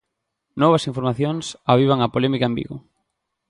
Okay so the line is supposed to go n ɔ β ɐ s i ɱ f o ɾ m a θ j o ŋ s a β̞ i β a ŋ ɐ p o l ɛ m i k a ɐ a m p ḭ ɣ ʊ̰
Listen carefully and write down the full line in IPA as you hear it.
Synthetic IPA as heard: n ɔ β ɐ s i ɱ f o ɾ m a θ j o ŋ s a β̞ i β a ŋ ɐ p o l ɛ m i k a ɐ e m b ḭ ɣ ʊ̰